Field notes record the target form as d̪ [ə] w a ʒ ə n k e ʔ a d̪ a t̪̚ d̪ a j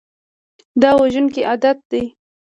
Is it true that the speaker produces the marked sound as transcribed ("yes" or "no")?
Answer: no